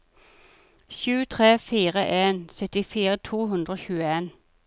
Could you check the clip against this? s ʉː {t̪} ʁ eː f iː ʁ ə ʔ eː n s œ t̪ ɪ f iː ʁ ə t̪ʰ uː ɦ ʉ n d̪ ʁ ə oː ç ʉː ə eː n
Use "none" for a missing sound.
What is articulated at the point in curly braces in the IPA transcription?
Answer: t̪ʰ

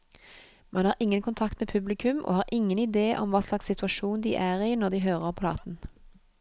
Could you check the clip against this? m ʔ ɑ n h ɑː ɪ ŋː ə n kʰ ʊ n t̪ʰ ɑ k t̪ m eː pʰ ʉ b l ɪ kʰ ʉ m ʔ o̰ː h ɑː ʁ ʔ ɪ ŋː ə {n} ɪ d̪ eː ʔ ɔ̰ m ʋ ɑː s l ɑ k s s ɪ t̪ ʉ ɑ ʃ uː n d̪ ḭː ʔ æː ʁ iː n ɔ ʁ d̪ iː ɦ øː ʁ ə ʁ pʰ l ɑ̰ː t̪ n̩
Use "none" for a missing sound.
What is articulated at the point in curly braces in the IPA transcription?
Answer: n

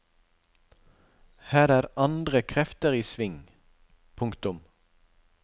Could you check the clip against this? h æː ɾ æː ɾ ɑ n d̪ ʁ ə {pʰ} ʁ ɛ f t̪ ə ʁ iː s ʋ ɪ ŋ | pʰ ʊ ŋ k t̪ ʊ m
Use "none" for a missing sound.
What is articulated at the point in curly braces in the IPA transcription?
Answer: kʰ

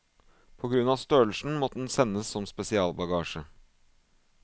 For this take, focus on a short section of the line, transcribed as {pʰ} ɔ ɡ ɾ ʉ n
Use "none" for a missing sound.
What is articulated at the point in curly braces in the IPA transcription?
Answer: pʰ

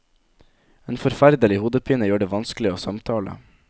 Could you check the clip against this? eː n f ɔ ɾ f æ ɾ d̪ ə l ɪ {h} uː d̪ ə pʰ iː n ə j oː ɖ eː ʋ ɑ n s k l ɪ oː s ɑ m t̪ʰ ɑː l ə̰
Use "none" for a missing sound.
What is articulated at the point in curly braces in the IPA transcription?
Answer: h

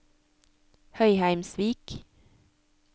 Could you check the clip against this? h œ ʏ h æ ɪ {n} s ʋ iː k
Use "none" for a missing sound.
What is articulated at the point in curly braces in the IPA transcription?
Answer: m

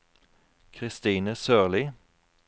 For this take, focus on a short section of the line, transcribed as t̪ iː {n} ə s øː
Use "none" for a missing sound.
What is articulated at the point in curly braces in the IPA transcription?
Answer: n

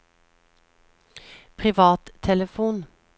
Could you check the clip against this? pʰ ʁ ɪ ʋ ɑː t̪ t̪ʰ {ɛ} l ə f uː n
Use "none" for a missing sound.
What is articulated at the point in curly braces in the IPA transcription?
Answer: ɛ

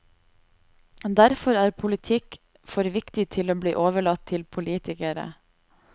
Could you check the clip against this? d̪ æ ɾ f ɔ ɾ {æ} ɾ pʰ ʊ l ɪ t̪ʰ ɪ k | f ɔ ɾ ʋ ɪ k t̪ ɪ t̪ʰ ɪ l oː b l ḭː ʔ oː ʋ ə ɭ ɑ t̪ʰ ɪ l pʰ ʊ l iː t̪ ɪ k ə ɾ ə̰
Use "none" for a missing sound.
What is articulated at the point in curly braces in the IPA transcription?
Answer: æː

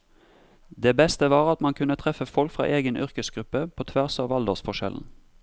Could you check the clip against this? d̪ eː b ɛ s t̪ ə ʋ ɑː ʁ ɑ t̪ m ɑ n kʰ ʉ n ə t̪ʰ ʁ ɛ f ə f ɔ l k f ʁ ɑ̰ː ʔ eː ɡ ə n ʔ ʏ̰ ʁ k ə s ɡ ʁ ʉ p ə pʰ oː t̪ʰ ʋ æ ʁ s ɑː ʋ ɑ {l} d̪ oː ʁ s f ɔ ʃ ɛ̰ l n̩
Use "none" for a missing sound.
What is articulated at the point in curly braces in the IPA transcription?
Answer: l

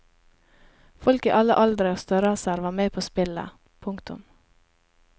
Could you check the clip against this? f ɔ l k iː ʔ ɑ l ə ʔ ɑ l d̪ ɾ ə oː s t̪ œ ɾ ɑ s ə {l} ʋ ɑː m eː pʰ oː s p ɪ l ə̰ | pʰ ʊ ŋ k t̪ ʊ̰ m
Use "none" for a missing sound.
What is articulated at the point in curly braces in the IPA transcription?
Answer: ɾ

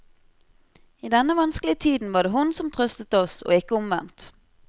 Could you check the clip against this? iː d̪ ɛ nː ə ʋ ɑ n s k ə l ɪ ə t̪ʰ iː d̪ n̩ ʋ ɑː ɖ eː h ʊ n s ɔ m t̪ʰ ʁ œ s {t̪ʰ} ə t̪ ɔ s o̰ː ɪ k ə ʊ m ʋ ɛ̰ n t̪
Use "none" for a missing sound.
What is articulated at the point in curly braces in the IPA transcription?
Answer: t̪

